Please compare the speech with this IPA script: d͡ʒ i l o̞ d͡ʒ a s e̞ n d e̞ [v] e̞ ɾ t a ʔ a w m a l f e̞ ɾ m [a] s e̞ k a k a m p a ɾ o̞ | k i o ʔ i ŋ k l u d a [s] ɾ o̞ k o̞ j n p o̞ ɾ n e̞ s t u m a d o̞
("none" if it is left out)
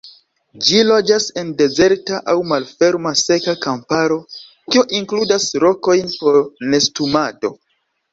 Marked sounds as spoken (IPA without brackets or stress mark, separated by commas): z, a, s